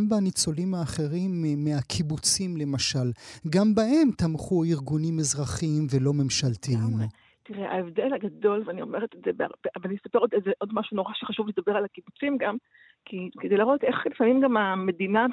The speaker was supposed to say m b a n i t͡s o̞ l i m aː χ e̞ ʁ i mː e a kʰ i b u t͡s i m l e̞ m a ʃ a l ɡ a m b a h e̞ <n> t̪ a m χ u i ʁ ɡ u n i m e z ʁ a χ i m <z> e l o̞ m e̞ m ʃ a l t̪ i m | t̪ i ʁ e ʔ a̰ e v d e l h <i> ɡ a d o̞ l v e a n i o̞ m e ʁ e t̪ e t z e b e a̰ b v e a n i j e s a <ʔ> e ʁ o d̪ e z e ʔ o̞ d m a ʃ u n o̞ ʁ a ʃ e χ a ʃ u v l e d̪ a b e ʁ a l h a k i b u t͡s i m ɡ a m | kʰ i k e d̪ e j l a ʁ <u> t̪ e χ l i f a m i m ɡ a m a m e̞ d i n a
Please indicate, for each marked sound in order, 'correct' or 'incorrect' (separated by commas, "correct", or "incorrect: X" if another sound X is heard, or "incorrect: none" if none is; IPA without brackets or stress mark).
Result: incorrect: m, incorrect: v, incorrect: a, incorrect: p, incorrect: o